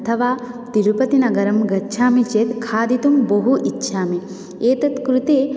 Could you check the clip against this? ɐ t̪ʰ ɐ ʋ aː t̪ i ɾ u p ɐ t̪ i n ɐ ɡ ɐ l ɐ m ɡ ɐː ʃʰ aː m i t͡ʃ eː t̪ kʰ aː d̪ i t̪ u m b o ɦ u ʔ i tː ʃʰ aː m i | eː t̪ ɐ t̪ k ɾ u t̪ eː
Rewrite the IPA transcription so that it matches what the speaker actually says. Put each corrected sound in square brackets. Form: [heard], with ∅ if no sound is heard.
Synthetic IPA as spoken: ɐ t̪ʰ ɐ ʋ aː t̪ i ɾ u p ɐ t̪ i n ɐ ɡ ɐ [ɾ] ɐ m ɡ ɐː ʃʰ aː m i t͡ʃ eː t̪ kʰ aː d̪ i t̪ u m b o ɦ u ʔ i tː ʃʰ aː m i | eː t̪ ɐ t̪ k ɾ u t̪ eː